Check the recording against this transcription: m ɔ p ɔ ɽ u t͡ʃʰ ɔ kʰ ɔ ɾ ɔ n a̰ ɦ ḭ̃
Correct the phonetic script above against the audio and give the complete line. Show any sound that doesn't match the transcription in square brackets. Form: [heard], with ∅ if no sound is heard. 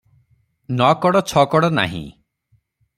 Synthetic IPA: [n] ɔ [k] ɔ ɽ [ɔ] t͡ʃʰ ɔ [k] ɔ [ɽ] ɔ n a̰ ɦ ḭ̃